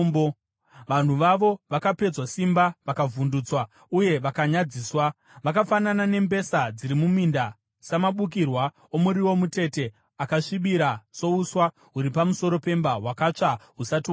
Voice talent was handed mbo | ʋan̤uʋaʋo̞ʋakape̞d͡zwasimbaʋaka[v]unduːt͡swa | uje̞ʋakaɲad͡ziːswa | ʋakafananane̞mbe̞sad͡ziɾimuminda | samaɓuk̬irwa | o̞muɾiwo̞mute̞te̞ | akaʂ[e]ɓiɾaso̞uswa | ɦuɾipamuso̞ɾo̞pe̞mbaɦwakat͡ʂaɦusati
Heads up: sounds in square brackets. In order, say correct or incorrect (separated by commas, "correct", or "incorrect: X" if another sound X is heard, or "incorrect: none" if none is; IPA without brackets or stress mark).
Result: correct, incorrect: i